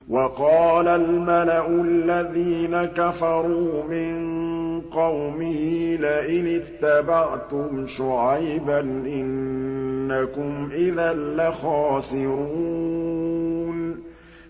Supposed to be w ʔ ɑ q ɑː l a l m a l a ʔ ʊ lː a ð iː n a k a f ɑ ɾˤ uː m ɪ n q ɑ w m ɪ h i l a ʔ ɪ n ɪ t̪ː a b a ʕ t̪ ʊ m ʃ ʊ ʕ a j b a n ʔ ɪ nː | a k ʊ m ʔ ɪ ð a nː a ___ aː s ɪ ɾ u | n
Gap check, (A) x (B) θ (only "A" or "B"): A